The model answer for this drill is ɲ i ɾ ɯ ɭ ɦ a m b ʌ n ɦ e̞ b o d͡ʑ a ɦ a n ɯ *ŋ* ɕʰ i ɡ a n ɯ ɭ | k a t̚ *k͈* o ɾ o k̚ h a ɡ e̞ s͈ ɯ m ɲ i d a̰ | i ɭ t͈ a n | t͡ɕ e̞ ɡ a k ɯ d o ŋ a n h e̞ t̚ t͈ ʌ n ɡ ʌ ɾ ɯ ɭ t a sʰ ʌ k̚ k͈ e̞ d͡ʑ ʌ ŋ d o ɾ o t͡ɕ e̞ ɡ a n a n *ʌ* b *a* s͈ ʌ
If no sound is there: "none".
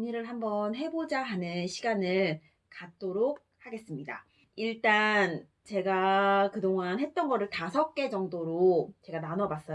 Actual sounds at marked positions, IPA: n, t͈, ʌ, a

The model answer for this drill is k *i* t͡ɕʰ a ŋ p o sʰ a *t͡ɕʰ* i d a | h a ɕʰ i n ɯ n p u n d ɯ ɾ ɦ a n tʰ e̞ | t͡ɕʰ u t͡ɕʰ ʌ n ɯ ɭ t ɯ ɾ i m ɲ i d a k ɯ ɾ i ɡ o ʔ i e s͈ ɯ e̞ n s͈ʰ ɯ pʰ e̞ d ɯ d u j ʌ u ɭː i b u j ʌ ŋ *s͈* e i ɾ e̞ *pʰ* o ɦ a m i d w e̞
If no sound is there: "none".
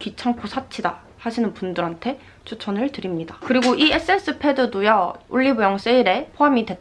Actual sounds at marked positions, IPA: i, t͡ɕʰ, s͈, pʰ

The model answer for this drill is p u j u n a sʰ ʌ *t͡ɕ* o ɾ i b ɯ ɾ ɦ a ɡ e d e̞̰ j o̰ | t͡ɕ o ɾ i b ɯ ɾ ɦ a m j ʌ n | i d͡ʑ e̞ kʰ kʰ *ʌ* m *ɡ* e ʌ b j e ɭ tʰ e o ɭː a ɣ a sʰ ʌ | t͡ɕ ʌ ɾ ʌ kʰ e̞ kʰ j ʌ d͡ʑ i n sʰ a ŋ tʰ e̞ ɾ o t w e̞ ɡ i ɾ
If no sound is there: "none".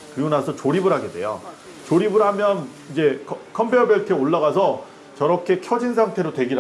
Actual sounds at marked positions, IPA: t͡ɕ, ʌ, b

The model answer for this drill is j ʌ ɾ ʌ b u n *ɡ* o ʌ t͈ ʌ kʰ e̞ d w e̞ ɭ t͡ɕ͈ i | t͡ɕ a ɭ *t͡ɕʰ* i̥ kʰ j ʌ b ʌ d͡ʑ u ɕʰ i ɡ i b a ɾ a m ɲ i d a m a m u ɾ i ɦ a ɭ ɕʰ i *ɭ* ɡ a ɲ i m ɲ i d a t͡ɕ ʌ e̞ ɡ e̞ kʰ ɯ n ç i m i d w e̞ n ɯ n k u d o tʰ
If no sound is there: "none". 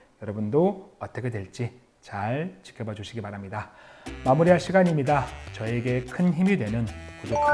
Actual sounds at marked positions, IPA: d, t͡ɕ, none

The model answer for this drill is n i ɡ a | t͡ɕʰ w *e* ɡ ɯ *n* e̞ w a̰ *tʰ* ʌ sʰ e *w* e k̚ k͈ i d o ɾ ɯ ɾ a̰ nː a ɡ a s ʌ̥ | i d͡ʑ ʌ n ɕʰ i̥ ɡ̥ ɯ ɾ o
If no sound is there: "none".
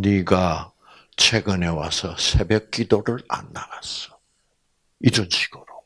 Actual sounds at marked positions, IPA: e, n, sʰ, b

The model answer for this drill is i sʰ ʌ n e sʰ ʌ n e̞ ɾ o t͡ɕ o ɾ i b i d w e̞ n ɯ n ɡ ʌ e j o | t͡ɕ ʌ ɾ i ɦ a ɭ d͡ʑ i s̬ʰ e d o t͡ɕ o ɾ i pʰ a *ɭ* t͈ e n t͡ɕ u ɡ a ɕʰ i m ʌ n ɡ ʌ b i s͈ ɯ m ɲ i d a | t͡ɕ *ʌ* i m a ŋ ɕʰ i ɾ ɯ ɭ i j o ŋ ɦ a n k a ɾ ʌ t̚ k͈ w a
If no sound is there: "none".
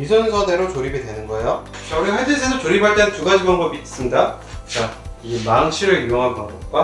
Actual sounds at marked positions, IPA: ɭ, a

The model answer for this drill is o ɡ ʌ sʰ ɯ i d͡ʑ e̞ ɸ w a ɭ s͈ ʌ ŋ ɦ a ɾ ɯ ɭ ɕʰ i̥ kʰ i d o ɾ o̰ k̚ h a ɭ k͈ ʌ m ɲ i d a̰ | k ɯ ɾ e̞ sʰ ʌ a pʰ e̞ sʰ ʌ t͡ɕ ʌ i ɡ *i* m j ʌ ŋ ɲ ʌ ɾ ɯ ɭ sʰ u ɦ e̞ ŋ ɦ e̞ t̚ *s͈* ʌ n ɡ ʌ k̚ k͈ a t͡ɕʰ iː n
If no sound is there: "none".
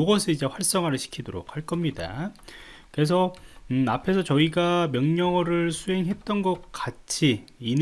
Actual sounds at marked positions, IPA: a, t͈

